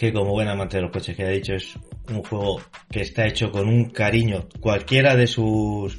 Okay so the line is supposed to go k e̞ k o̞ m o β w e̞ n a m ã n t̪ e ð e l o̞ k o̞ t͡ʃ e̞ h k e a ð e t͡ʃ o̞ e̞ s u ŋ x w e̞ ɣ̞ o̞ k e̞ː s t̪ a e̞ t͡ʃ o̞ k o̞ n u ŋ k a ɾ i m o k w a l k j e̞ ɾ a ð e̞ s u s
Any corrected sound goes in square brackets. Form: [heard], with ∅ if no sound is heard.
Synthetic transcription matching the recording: k e̞ k o̞ m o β w e̞ n a m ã n t̪ e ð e l o̞ k o̞ t͡ʃ e̞ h k e a ð [i] t͡ʃ o̞ e̞ s u ŋ x w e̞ ɣ̞ o̞ k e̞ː s t̪ a e̞ t͡ʃ o̞ k o̞ n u ŋ k a ɾ i [ɲ] o k w a l k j e̞ ɾ a ð e̞ s u s